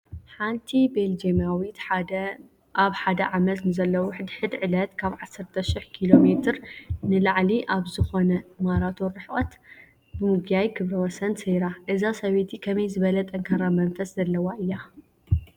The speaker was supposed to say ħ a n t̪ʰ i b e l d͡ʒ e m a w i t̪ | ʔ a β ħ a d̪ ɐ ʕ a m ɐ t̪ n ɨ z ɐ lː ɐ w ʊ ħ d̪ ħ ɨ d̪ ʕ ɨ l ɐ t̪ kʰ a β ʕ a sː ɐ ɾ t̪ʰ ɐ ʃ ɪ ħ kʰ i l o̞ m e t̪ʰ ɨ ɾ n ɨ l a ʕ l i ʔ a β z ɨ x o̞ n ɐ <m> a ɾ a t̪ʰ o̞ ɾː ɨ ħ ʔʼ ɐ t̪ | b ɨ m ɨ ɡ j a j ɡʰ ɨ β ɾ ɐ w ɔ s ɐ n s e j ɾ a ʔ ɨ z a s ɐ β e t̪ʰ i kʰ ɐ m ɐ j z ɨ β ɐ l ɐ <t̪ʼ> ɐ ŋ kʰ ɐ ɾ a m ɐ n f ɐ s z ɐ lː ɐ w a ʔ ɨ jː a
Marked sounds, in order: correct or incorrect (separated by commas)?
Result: correct, correct